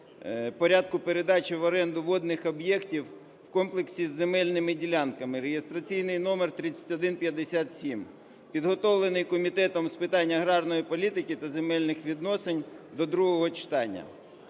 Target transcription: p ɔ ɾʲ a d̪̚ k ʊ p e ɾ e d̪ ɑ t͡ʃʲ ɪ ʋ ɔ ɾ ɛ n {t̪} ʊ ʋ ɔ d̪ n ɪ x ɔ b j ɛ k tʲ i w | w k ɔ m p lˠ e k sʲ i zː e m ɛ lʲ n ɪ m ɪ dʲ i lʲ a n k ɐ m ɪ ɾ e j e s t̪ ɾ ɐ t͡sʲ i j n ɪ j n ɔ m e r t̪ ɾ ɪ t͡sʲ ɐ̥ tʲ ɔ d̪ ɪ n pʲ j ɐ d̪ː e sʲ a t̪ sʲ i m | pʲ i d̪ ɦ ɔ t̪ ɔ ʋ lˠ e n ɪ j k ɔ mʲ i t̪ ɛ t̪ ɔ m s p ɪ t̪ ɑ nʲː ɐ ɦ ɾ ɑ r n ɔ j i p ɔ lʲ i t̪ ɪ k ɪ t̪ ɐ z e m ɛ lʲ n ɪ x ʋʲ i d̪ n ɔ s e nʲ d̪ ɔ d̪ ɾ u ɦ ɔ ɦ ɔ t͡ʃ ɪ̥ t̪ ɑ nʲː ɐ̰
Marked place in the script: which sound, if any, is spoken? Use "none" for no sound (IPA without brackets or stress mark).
d̪